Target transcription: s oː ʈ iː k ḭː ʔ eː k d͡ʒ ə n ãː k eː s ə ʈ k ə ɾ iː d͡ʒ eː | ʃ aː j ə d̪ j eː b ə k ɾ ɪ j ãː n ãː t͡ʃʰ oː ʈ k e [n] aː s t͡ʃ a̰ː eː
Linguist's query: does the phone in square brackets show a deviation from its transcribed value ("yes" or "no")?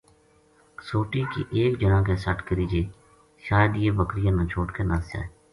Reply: no